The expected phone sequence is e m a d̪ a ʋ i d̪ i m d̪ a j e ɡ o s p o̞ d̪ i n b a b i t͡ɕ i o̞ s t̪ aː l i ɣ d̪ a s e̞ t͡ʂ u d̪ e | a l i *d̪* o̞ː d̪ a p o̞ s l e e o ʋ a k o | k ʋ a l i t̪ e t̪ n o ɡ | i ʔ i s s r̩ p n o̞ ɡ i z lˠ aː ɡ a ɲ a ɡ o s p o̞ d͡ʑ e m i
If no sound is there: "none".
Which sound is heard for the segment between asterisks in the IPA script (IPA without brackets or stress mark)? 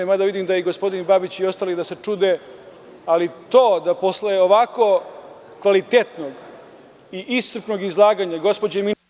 t̪